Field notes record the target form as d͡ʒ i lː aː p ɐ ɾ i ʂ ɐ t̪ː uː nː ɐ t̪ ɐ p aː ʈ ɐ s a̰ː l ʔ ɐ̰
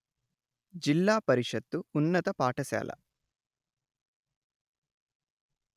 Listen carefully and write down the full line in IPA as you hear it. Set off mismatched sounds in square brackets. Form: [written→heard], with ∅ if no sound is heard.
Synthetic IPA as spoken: d͡ʒ i lː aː p ɐ ɾ i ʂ ɐ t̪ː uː nː ɐ t̪ ɐ p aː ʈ ɐ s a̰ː l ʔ ɐ̰